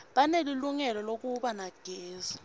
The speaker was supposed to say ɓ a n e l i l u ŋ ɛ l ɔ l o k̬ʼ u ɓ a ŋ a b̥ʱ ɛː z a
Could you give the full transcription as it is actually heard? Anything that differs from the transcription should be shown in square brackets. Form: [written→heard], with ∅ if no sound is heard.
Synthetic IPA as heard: ɓ a n e l i l u ŋ ɛ l ɔ l o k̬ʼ u ɓ a [ŋ→n] a [b̥ʱ→ɡ̥ʱ] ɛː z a